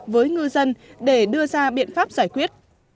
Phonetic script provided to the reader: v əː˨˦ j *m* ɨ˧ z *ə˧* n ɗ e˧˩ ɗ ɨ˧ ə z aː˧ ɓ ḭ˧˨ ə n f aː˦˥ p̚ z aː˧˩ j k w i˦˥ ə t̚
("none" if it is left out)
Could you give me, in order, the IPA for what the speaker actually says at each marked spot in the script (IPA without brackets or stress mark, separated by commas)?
ŋ, ə˧